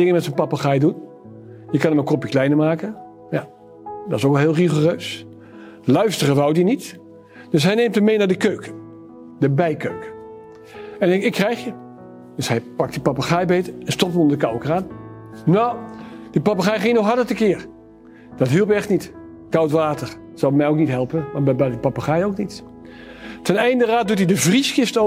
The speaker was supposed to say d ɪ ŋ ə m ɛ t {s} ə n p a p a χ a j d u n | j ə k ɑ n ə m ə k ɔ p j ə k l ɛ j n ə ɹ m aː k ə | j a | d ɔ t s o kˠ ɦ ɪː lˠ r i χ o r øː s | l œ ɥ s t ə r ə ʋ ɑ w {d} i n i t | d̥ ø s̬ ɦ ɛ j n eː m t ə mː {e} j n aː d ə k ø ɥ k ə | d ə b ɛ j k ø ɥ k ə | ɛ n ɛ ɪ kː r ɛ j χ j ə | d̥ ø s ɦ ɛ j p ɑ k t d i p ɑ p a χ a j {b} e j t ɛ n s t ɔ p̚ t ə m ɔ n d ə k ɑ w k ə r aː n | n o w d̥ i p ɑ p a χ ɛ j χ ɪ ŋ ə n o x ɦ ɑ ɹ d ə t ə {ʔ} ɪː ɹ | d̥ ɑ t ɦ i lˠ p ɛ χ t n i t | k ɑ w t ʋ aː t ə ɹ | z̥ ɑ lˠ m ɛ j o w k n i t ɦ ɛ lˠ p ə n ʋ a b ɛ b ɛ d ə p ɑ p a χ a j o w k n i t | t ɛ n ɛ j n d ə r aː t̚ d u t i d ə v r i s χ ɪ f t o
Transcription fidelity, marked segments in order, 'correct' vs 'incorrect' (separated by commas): correct, correct, correct, correct, incorrect